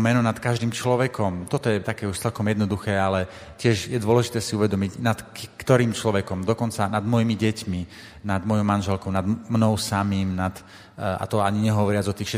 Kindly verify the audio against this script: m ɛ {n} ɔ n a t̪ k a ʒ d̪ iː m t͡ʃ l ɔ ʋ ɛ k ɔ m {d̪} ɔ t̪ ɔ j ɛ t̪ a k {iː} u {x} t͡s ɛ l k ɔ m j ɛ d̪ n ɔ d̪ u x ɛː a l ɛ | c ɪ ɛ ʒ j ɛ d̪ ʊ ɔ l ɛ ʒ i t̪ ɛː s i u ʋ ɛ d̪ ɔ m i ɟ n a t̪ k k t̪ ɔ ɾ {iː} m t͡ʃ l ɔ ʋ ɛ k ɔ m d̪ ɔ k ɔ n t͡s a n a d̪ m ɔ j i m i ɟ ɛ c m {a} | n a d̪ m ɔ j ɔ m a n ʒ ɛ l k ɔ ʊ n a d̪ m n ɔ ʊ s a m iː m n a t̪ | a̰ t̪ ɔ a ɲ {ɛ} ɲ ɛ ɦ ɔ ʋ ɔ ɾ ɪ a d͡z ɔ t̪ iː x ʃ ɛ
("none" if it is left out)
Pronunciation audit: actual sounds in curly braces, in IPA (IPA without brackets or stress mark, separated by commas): n, t̪, ɛː, ʃ, iː, i, i